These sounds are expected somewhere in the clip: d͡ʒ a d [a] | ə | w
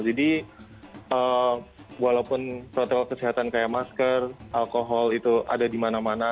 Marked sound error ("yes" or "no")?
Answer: yes